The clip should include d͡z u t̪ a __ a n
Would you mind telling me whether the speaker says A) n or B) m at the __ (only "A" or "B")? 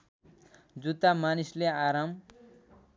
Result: B